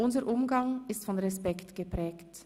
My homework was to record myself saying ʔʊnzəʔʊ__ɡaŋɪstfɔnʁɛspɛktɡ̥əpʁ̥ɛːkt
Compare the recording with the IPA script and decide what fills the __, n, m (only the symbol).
m